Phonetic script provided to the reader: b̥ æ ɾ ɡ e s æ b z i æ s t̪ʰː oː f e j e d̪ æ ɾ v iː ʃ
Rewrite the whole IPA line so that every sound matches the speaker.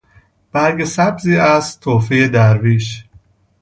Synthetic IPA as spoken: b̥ æ ɾ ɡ e s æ b z iː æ s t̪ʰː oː f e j e d̪ æ ɾ v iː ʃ